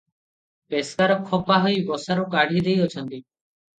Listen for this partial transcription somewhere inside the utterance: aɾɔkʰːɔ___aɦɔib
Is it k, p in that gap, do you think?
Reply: p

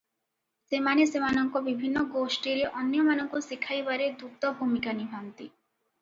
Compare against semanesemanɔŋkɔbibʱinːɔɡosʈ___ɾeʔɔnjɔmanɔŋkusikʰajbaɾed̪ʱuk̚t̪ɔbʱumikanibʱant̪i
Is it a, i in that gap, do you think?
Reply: i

